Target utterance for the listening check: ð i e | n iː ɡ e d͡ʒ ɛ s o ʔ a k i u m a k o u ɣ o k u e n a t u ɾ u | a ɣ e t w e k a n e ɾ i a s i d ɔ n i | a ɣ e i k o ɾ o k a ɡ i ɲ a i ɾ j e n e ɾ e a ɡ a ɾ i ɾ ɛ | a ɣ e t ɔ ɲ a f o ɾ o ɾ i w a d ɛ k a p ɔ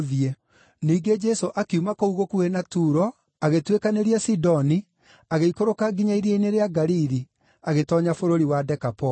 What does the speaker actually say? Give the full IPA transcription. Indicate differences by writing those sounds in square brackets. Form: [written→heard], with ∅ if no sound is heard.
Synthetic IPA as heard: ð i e | n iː ɡ e d͡ʒ ɛ s o ʔ a k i u m a k o u ɣ o k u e n a t u ɾ [u→ɔ] | a ɣ e t w e k a n e ɾ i a s i d ɔ n i | a ɣ e i k o ɾ o k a ɡ i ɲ a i ɾ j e n e ɾ e a ɡ a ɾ i ɾ [ɛ→i] | a ɣ e t ɔ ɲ a f o ɾ o ɾ i w a d ɛ k a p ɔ

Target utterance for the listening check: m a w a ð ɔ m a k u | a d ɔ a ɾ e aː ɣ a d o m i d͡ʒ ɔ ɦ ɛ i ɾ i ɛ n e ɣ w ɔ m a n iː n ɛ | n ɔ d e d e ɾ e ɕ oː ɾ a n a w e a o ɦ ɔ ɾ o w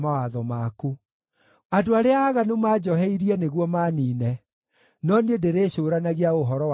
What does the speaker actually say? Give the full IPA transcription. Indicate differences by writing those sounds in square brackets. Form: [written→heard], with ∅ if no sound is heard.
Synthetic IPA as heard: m a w a ð ɔ m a k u | a d [ɔ→o] a ɾ e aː ɣ a [d→n] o m [i→a] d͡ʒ ɔ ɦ ɛ i ɾ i ɛ n e ɣ w ɔ m a n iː n ɛ | n ɔ [d→n] e d e ɾ e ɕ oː ɾ a n a [w→ɣ] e a o ɦ ɔ ɾ [o→ɔ] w

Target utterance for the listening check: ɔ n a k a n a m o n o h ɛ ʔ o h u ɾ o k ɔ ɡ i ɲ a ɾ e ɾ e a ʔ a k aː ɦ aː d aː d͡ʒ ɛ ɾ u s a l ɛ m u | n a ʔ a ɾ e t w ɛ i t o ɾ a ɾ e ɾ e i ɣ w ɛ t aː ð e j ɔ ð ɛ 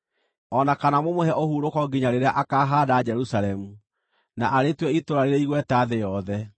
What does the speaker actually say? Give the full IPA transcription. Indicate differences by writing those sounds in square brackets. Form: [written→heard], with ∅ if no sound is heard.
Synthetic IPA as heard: ɔ n a k a n a m o [n→m] o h ɛ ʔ o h u ɾ o k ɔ ɡ i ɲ a ɾ e ɾ e a ʔ a k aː ɦ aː d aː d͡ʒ ɛ ɾ u s a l ɛ m u | n a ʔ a ɾ e t w ɛ i t o ɾ a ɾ e ɾ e i ɣ w ɛ t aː ð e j ɔ ð ɛ

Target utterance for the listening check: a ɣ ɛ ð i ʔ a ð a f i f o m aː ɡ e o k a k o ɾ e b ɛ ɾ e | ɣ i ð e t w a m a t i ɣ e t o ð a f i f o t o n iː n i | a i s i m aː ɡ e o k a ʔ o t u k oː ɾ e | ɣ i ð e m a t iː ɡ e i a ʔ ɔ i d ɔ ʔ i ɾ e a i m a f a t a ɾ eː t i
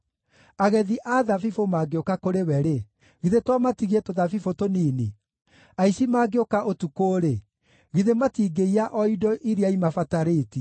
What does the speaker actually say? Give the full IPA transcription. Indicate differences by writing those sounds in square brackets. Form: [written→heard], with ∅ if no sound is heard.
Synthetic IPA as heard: a ɣ ɛ ð i ʔ a ð a f i f o m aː ɡ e o k a k o ɾ e [b→w] ɛ ɾ e | ɣ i ð e t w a m a t i ɣ e t o ð a f i f o t o n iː n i | a i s i m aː ɡ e o k a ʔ o t u k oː ɾ e | ɣ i ð e m a t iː ɡ e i a ʔ ɔ i d ɔ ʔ i ɾ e a i m a f a t a ɾ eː t i

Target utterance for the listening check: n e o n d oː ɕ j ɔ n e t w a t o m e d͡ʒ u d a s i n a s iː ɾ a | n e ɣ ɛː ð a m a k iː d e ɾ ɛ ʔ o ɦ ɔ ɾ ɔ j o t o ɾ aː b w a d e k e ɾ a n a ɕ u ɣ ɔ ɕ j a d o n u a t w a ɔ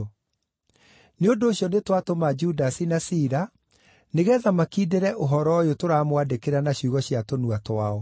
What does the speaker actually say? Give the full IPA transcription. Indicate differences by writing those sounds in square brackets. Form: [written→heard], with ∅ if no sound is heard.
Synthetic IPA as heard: n e o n d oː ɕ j ɔ n e t w a t o m [e→a] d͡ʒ u d a s i n a s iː ɾ a | n e ɣ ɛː ð a m a k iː d e ɾ ɛ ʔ o ɦ ɔ ɾ ɔ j o t o ɾ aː [b→m] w a d e k e ɾ a n a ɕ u ɣ ɔ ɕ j a [d→t] o n u a t w a ɔ

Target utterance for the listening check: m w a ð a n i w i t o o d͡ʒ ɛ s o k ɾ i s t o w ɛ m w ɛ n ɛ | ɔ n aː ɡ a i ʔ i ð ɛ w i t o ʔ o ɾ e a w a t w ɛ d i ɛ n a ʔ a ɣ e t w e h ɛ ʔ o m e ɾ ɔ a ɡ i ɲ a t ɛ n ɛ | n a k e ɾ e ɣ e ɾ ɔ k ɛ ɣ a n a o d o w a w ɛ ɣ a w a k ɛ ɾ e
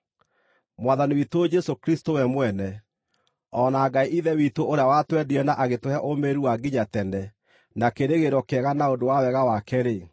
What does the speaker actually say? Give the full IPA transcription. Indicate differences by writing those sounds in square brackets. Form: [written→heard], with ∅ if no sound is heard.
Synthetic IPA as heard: m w a ð a n i w i t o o d͡ʒ ɛ s o k ɾ i s t o w ɛ m w ɛ n ɛ | ɔ n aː ɡ a i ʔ i ð ɛ w i t o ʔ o ɾ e a w a t w ɛ d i ɛ n a ʔ a ɣ e t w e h ɛ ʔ o m e ɾ [ɔ→u] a ɡ i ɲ a t ɛ n ɛ | n a k e ɾ e ɣ e ɾ ɔ k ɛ ɣ a n a o d o w a w ɛ ɣ a w a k ɛ ɾ e

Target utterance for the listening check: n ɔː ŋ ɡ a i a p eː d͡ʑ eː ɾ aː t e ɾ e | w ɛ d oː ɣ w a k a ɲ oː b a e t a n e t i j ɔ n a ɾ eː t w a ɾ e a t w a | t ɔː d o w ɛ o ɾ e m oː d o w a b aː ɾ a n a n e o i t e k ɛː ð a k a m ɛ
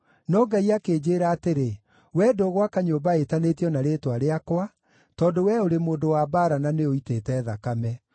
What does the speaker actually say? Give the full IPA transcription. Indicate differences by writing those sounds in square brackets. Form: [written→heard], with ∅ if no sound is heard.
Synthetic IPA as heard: n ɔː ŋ ɡ a i a [p→k] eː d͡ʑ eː ɾ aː t e ɾ e | w ɛ d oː ɣ w a k a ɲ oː b a e t a n e t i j ɔ n a ɾ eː t w a ɾ e a [t→k] w a | t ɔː d o w ɛ o ɾ e m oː d o w a b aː ɾ a n a n e o i t e [k→t] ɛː ð a k a m ɛ

